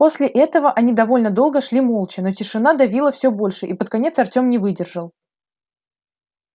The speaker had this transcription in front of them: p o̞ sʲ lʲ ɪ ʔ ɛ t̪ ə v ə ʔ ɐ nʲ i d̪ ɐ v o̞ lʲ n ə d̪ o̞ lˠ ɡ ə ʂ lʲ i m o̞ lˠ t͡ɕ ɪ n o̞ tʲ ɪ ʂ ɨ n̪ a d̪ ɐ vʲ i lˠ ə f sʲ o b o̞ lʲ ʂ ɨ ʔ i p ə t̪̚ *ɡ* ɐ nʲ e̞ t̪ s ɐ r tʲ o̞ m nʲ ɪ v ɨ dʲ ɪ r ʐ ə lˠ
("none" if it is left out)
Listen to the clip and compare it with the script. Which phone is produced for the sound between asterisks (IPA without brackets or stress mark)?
k